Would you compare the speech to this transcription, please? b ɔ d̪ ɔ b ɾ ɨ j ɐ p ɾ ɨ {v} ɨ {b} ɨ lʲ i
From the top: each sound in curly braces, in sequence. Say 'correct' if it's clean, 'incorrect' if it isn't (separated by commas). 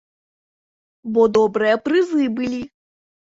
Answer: incorrect, correct